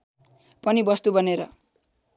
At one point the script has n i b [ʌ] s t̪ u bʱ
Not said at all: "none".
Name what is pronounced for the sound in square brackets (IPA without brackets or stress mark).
ʌ